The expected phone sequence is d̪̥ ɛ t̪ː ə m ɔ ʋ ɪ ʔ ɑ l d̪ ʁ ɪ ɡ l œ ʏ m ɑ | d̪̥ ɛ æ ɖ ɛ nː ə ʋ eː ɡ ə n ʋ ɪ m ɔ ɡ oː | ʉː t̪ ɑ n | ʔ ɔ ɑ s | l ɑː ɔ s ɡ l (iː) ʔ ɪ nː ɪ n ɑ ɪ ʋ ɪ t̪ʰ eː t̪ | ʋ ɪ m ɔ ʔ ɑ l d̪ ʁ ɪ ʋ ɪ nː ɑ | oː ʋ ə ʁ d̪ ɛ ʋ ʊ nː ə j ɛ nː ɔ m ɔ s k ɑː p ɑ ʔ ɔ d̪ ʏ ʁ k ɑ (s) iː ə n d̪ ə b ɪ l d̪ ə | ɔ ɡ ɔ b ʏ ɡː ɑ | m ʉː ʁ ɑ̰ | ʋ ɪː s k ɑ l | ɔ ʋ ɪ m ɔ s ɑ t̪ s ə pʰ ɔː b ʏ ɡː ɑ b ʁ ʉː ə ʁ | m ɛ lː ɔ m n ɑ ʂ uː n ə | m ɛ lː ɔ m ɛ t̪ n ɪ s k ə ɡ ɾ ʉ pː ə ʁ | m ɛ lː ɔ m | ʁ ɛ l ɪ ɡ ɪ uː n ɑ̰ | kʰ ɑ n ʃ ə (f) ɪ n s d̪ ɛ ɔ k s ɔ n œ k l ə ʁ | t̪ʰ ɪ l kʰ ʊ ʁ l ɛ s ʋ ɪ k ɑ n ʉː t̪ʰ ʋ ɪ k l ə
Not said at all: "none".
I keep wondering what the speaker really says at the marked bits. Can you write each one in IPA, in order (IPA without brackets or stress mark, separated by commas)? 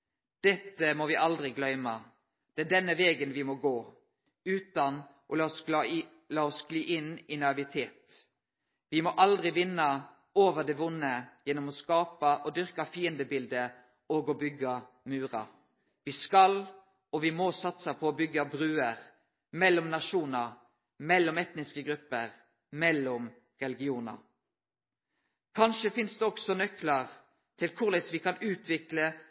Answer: iː, f, f